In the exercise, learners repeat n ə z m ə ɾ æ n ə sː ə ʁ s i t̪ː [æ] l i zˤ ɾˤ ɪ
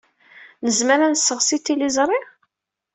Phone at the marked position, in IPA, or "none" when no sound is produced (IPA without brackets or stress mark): i